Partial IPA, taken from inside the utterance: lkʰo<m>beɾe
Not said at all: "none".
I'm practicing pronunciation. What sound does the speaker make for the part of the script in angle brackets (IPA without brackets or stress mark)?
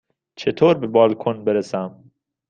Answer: n